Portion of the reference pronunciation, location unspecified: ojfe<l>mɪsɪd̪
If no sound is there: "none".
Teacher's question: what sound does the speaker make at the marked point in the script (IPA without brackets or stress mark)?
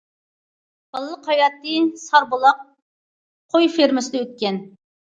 ɾ